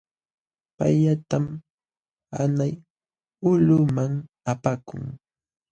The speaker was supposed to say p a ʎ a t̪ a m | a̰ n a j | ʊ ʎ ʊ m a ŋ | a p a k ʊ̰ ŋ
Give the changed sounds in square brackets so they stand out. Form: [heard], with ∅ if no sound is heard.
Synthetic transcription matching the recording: p a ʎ a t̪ a m | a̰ n a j | ʊ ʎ ʊ m a ŋ | a p a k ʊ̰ ŋ